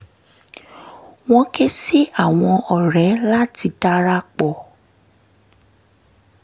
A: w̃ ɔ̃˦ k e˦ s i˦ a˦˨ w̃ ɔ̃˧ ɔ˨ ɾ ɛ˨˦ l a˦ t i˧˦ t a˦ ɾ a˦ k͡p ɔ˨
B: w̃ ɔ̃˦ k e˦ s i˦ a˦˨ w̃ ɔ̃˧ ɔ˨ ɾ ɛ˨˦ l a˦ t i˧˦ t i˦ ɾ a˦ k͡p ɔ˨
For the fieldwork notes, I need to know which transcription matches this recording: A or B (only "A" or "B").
A